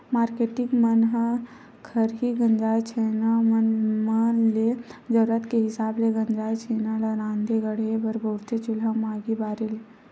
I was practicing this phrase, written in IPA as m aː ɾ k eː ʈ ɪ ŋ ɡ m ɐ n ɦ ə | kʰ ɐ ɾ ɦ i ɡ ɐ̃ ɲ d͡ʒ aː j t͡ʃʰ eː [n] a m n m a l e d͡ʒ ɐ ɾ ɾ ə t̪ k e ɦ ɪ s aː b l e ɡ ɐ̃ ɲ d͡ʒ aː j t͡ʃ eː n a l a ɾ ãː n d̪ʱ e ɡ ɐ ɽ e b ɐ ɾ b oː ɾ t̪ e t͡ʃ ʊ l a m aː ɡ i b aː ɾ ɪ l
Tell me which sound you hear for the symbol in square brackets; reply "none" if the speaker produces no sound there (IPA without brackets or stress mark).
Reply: n